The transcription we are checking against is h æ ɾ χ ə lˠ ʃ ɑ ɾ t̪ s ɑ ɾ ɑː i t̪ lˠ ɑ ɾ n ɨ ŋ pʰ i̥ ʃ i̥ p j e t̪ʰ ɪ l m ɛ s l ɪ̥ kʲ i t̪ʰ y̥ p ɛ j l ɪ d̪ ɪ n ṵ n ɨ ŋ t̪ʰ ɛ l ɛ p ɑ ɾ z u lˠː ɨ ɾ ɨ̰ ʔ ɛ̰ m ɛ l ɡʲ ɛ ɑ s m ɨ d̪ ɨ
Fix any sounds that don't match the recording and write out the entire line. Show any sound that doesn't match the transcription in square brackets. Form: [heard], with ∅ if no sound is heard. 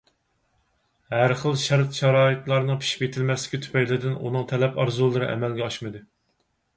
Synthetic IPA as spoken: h æ ɾ χ ə lˠ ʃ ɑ ɾ t̪ [ʃ] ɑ ɾ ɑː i t̪ lˠ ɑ ɾ n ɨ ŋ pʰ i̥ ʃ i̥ p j e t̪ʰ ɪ l m ɛ s l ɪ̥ kʲ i t̪ʰ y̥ p ɛ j l ɪ d̪ ɪ n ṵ n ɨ ŋ t̪ʰ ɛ l ɛ p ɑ ɾ z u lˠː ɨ ɾ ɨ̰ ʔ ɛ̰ m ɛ l ɡʲ ɛ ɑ [ʃ] m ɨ d̪ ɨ